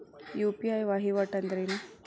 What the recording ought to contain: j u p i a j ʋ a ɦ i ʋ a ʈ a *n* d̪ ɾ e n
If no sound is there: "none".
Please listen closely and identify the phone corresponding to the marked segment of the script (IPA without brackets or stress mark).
n